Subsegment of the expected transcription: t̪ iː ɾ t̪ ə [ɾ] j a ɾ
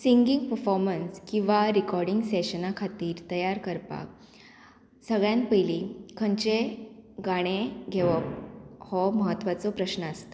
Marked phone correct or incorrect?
incorrect